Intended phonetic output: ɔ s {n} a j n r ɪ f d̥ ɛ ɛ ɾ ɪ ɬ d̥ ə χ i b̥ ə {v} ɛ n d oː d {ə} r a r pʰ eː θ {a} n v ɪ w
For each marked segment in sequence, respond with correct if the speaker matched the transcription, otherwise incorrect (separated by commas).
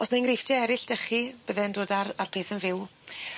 correct, incorrect, incorrect, incorrect